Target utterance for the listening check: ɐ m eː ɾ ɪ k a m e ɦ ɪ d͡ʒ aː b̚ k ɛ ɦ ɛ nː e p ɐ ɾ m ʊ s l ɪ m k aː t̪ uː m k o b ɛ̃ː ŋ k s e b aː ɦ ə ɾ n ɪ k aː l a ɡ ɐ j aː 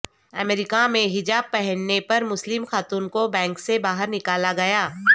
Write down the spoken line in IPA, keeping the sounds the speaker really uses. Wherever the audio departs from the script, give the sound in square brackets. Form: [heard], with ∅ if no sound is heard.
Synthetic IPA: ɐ m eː ɾ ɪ k a m [ẽ] ɦ ɪ d͡ʒ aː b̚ [p] ɛ ɦ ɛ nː e p ɐ ɾ m ʊ s l ɪ m [x] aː t̪ uː [n] k o b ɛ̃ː ŋ k s e b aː ɦ ə ɾ n ɪ k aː l a ɡ ɐ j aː